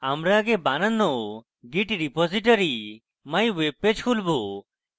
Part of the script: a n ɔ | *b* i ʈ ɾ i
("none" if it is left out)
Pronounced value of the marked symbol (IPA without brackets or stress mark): ɡ